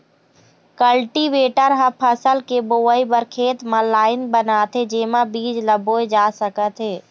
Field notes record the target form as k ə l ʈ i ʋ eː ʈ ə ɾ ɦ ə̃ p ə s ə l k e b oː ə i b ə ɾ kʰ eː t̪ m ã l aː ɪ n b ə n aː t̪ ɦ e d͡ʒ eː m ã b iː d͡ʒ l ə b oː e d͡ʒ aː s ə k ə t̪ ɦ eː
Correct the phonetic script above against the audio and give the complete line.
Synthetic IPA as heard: k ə l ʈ i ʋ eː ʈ ə ɾ ɦ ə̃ pʰ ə s ə l k e b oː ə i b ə ɾ kʰ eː t̪ m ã l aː ɪ n b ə n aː t̪ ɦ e d͡ʒ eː m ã b iː d͡ʒ l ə b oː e d͡ʒ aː s ə k ə t̪ ɦ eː